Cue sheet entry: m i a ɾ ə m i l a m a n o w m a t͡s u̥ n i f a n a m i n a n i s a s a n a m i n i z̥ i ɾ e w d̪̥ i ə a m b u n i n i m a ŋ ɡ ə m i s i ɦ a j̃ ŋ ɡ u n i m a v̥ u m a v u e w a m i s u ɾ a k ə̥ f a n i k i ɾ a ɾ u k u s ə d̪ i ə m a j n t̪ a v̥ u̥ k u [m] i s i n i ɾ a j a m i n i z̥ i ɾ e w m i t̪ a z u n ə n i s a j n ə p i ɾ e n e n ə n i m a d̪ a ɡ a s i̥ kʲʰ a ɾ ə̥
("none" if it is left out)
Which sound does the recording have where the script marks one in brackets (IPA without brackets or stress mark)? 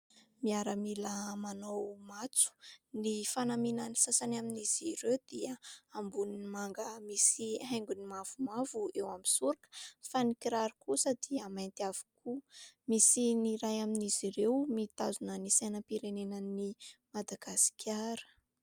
m